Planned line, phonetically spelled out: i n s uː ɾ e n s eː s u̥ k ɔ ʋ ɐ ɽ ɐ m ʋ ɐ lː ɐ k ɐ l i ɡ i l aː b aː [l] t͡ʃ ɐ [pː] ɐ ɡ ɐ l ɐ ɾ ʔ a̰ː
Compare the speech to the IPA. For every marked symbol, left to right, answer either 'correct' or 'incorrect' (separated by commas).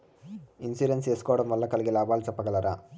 correct, correct